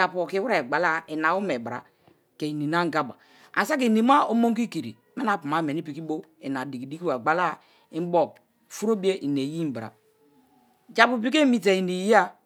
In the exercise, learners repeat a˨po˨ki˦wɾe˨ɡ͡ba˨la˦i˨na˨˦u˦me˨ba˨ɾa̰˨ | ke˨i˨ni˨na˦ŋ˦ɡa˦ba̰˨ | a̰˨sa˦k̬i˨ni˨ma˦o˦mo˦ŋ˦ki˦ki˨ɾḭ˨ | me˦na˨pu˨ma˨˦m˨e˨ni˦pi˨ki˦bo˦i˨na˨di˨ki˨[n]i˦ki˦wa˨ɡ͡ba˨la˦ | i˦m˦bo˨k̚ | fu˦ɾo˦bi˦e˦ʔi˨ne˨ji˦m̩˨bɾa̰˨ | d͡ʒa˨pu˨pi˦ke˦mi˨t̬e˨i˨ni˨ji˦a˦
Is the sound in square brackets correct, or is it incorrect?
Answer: incorrect